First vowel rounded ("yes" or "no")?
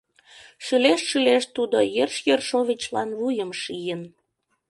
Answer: yes